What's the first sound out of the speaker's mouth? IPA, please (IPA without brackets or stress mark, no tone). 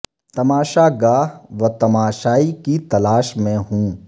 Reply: t̪